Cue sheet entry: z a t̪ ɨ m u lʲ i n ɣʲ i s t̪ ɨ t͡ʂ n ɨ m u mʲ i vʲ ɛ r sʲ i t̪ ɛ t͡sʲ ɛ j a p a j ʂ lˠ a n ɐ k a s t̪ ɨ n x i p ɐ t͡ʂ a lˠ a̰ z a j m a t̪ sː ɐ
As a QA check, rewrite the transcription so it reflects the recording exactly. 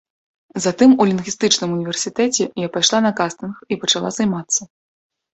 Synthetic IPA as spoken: z a t̪ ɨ m u lʲ i n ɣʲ i s t̪ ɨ t͡ʂ n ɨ m u nʲ i vʲ ɛ r sʲ i t̪ ɛ t͡sʲ ɛ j a p a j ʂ lˠ a n ɐ k a s t̪ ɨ n x i p ɐ t͡ʂ a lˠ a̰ z a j m a t̪ sː ɐ